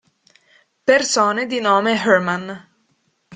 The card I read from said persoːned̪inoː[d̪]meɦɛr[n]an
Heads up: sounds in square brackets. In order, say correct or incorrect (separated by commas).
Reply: incorrect, incorrect